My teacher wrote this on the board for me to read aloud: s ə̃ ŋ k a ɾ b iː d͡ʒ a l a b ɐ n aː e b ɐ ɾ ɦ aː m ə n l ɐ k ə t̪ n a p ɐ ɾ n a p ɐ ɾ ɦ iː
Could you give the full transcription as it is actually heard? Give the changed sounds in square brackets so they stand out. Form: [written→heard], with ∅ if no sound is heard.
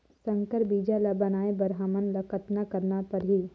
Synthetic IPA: s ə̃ ŋ k [a→ə] ɾ b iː d͡ʒ a l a b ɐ n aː e b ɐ ɾ ɦ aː m ə n l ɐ k ə t̪ n a [p→k] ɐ ɾ n a p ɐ ɾ ɦ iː